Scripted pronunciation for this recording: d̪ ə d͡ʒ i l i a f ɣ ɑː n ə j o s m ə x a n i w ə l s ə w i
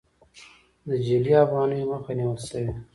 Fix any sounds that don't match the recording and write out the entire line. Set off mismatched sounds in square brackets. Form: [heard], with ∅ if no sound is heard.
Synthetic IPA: d̪ ə d͡ʒ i l i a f ɣ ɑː n ə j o [∅] m ə x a n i w ə l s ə w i